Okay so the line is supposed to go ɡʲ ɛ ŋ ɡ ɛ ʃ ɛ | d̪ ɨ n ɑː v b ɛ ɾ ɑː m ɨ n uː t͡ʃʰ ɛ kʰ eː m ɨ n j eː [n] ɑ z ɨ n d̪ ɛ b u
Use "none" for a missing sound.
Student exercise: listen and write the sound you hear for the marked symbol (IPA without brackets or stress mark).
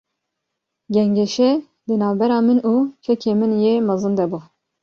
m